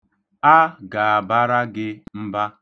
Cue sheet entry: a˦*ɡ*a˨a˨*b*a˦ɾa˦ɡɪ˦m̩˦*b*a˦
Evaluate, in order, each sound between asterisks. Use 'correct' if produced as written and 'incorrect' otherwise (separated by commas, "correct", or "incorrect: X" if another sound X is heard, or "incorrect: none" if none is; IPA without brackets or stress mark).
correct, correct, correct